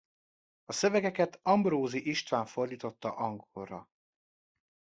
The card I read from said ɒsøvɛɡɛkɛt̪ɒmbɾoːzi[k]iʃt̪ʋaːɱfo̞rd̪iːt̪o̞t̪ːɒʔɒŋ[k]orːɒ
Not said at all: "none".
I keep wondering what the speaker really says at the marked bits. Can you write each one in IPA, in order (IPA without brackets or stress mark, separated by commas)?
ʔ, ɡ